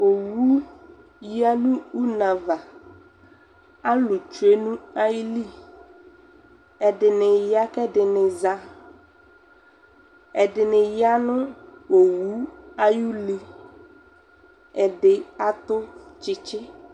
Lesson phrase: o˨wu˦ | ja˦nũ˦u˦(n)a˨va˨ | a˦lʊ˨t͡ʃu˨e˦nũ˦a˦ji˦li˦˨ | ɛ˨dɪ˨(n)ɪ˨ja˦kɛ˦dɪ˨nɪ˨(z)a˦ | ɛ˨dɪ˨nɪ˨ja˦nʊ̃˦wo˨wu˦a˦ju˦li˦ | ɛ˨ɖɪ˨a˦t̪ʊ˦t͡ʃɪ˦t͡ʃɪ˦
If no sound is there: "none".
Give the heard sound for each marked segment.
n, n, z

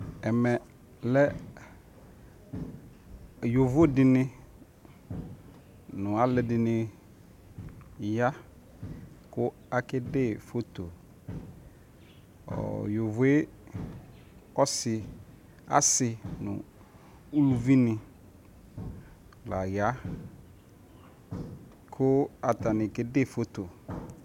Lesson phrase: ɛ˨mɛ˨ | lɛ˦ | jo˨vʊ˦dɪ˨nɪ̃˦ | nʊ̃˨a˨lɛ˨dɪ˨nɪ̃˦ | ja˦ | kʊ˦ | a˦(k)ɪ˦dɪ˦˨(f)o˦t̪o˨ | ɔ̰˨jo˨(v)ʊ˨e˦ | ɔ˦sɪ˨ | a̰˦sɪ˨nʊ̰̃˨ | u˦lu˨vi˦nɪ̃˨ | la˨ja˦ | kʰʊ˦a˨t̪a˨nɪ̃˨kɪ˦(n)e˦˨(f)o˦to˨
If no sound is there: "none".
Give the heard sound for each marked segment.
k, f, v, d, f

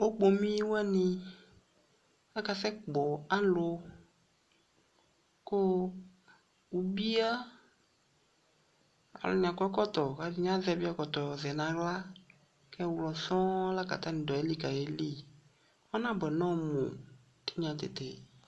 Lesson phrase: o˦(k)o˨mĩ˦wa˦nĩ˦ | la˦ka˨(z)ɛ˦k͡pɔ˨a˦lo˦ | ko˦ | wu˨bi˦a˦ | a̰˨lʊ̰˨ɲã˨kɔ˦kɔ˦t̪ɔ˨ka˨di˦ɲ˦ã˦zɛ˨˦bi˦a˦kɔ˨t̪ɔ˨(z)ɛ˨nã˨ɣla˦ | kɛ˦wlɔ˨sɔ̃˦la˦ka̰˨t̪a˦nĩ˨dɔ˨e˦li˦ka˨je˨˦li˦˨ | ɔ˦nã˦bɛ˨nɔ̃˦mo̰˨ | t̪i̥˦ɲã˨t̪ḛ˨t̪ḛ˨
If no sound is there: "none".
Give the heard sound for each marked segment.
k͡p, s, z

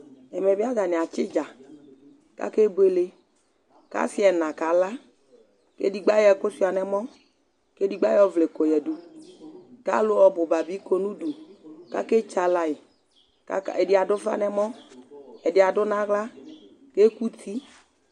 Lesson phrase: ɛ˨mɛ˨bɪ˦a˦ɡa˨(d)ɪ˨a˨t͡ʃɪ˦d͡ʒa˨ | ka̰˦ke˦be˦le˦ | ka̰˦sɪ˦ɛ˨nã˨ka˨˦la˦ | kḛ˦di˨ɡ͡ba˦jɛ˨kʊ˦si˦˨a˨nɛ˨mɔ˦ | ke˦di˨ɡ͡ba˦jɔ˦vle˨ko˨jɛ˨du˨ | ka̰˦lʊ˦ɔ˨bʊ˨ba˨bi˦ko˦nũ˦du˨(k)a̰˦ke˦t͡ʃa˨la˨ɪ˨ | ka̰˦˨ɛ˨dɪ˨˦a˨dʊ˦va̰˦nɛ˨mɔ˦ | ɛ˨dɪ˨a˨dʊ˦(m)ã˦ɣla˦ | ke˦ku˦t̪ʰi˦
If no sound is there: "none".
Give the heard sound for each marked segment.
n, k, n

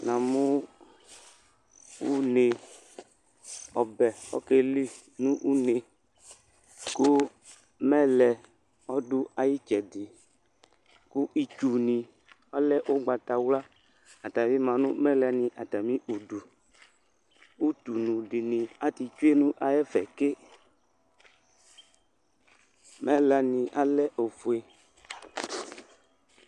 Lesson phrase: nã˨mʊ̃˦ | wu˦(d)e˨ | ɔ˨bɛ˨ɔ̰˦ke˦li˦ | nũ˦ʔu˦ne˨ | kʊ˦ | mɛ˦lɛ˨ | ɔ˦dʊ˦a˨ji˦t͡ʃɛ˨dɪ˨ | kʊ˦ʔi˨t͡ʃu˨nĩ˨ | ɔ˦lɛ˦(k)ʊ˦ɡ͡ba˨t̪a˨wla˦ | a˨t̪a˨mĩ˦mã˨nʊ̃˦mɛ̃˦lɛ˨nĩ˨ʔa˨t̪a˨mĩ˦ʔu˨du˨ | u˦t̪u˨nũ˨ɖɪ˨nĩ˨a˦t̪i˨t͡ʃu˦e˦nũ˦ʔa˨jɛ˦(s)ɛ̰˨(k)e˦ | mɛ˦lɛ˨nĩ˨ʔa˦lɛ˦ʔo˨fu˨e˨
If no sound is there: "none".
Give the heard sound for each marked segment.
n, ʔ, f, k

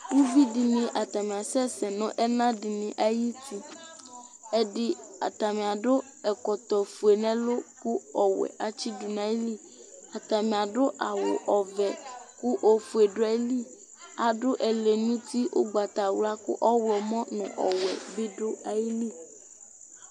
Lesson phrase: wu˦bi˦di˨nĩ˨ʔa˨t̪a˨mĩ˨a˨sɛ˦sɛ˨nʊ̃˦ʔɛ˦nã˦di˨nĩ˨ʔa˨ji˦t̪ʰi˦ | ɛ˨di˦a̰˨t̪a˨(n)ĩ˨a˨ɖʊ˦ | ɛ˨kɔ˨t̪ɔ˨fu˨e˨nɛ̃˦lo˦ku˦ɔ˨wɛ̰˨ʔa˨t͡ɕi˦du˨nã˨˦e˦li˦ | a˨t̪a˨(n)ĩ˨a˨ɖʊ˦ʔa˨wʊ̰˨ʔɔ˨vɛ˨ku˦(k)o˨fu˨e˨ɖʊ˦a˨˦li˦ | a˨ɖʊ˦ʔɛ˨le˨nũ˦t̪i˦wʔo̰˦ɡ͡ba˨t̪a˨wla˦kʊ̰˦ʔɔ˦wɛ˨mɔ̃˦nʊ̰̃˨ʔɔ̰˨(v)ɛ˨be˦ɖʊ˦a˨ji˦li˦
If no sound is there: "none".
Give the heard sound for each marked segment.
m, m, ʔ, w

